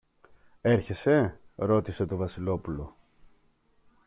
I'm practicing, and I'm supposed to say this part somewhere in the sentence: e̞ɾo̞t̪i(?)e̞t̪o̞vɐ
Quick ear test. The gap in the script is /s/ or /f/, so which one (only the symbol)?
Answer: s